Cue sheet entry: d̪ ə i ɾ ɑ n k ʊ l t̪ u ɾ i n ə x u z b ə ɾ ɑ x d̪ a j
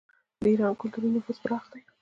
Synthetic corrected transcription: d̪ ə i ɾ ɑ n k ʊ l t̪ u ɾ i n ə f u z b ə ɾ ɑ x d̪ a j